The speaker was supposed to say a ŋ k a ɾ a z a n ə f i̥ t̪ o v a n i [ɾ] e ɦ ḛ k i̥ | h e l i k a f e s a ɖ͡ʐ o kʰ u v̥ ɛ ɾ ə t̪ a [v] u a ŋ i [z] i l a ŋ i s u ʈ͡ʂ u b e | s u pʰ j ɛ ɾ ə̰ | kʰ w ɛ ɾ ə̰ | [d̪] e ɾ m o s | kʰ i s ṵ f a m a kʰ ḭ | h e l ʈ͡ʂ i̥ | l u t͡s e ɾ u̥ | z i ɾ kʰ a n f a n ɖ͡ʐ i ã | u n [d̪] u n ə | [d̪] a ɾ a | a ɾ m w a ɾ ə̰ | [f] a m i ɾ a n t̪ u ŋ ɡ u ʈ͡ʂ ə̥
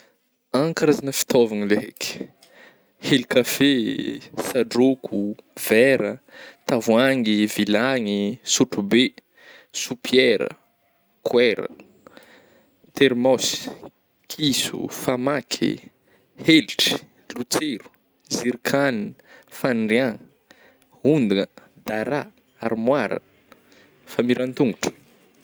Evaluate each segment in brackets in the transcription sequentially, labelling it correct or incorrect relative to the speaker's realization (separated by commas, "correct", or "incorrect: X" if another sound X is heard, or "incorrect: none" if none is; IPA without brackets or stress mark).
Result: incorrect: l, correct, incorrect: v, incorrect: t̪, correct, correct, correct